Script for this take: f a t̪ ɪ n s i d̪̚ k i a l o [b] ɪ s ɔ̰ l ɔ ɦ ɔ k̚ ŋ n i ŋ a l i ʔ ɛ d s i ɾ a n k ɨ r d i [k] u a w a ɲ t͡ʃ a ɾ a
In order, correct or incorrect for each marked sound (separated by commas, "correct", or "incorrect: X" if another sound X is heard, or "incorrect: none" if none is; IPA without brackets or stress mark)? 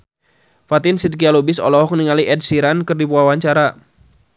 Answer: correct, incorrect: p